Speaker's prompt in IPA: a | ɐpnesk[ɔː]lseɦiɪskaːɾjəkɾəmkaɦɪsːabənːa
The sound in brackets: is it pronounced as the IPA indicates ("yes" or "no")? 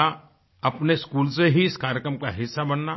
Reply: no